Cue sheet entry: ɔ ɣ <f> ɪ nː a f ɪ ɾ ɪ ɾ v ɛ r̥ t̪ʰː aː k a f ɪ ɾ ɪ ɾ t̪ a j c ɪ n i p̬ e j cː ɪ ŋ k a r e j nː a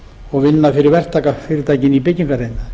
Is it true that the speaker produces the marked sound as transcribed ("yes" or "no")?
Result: no